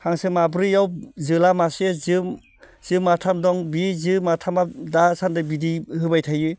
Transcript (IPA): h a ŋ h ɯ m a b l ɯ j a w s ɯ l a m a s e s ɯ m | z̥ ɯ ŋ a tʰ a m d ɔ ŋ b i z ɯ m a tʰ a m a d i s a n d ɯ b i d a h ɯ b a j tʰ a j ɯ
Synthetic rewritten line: h a ŋ s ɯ m a b ɾ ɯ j a w z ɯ l a m a s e z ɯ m | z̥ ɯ m a tʰ a m d ɔ ŋ b i z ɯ m a tʰ a m a d a s a n d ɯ b i d i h ɯ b a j tʰ a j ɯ

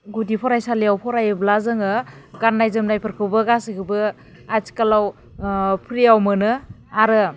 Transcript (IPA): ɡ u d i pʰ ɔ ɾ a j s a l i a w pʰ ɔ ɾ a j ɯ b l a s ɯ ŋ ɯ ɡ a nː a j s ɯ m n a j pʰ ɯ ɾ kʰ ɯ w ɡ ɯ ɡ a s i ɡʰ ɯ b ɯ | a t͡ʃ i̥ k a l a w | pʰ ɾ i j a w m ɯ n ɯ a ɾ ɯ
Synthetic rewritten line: ɡ u d i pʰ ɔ ɾ a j s a l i a w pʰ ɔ ɾ a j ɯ b l a z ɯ ŋ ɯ ɡ a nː a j z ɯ m n a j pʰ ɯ ɾ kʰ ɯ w b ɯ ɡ a s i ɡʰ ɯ b ɯ | a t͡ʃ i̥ k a l a w | pʰ ɾ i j a w m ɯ n ɯ a ɾ ɯ

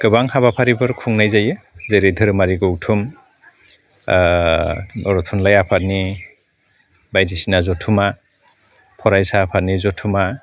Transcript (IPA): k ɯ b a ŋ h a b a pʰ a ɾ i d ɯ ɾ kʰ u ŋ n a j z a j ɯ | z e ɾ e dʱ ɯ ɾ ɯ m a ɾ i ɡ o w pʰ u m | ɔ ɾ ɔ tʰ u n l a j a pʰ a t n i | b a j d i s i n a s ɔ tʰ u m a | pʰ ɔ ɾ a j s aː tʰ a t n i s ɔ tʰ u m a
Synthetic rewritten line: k ɯ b a ŋ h a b a pʰ a ɾ i b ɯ ɾ kʰ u ŋ n a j z a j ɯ | z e ɾ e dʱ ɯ ɾ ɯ m a ɾ i ɡ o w tʰ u m | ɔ ɾ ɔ tʰ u n l a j a pʰ a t n i | b a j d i s i n a z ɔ tʰ u m a | pʰ ɔ ɾ a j s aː pʰ a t n i z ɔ tʰ u m a

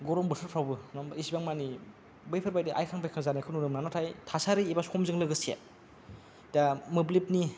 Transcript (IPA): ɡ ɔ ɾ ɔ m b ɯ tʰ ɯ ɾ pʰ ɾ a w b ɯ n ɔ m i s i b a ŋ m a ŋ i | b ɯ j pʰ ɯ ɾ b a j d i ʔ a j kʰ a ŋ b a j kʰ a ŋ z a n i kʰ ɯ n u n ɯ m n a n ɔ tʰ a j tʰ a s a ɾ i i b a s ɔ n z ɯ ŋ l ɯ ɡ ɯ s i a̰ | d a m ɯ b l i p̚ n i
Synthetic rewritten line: ɡ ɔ ɾ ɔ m b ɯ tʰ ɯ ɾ pʰ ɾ a w b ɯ n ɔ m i s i b a ŋ m a n i | b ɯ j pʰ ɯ ɾ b a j d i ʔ a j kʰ a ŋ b a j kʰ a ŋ z a n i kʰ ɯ n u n ɯ m n a n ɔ tʰ a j tʰ a s a ɾ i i b a s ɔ m z ɯ ŋ l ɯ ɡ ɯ s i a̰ | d a m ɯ b l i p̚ n i

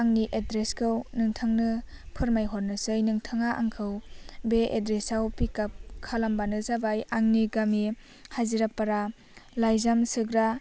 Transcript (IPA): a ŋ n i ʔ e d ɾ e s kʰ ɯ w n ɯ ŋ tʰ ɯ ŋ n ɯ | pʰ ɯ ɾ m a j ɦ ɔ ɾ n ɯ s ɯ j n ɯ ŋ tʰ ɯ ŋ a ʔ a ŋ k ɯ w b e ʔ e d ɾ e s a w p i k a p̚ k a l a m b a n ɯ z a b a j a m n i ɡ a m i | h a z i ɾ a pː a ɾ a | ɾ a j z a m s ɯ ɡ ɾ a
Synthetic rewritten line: a ŋ n i ʔ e d ɾ e s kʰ ɯ w n ɯ ŋ tʰ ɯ ŋ n ɯ | pʰ ɯ ɾ m a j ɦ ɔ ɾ n ɯ s ɯ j n ɯ ŋ tʰ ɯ ŋ a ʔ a ŋ kʰ ɯ w b e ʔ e d ɾ e s a w p i k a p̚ kʰ a l a m b a n ɯ z a b a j a ŋ n i ɡ a m i | h a z i ɾ a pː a ɾ a | l a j z a m s ɯ ɡ ɾ a

